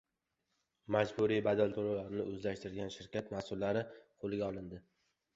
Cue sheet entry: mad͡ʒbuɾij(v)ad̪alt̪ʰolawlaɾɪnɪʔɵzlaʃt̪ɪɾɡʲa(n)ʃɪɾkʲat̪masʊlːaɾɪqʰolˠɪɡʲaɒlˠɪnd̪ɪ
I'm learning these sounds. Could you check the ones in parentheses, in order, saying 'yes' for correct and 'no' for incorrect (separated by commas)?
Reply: no, yes